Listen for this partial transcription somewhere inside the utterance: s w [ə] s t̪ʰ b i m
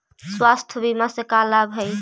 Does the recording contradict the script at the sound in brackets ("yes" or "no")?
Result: yes